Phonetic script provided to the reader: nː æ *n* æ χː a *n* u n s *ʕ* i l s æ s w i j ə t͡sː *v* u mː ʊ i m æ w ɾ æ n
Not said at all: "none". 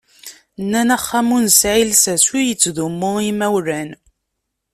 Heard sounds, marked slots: n, m, ʕ, ð

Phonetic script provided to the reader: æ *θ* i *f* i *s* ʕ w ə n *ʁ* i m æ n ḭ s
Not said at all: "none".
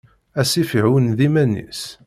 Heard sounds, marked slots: s, f, none, ð

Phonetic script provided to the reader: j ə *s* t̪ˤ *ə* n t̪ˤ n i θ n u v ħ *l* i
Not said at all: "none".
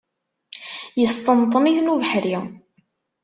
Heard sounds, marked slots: s, ə, ɾ

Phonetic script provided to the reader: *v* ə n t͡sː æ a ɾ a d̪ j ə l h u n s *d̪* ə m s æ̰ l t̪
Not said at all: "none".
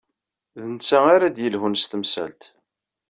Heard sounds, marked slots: ð, t̪

